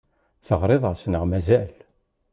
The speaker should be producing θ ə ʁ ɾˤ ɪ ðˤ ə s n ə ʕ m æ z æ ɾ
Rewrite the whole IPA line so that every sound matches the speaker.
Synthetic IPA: θ ə ʁ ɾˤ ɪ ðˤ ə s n ə ʁ m æ z æ l